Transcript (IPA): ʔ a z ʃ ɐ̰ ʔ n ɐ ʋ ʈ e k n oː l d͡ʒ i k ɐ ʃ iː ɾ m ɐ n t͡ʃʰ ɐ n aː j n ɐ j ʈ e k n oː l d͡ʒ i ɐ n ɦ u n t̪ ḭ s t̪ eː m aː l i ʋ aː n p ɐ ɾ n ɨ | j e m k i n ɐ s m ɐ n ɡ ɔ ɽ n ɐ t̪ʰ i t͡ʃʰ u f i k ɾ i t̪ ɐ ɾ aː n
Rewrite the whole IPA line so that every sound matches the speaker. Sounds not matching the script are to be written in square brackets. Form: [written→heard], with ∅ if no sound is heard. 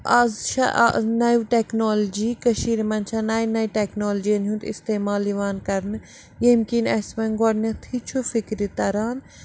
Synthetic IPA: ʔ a z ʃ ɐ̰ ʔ n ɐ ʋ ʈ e k n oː l d͡ʒ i k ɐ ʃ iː ɾ m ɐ n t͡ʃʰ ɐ n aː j n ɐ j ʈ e k n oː l d͡ʒ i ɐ n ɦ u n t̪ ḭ s t̪ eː m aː l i ʋ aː n [p→k] ɐ ɾ n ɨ | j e m k i n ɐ s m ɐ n ɡ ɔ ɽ n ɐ t̪ʰ i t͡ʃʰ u f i k ɾ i t̪ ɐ ɾ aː n

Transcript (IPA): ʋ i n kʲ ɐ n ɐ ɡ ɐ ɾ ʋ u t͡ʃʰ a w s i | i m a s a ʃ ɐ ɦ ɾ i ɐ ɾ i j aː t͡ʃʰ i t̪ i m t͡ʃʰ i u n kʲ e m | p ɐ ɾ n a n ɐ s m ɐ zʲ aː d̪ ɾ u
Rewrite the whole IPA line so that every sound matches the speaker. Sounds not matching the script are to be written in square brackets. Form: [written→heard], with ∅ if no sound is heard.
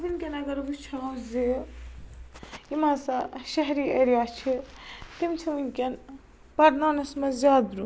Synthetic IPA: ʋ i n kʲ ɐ n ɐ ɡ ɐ ɾ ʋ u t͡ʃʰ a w [s→z] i | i m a s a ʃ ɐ ɦ ɾ i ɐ ɾ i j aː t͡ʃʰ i t̪ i m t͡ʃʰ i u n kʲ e [m→n] | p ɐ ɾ n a n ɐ s m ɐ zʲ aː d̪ ɾ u

